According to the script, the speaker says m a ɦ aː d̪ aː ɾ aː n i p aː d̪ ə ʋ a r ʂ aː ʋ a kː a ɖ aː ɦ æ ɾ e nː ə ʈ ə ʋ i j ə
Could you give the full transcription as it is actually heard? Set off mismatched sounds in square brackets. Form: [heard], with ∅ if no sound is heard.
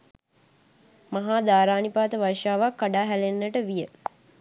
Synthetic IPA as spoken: m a ɦ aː d̪ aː ɾ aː n i p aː [t̪] ə ʋ a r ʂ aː ʋ a kː a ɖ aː ɦ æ [l] e nː ə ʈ ə ʋ i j ə